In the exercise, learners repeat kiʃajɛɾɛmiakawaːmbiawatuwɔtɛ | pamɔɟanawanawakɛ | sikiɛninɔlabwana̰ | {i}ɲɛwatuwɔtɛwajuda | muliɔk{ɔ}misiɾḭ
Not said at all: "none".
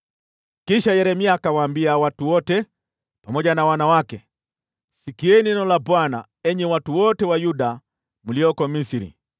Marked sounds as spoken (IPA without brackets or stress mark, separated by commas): ɛ, ɔ